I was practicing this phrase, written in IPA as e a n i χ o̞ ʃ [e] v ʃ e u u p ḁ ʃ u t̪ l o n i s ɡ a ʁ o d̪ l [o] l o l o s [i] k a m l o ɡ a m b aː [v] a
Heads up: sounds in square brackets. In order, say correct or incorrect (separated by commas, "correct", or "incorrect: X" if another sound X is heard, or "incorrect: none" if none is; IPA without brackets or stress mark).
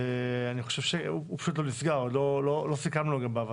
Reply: correct, correct, correct, correct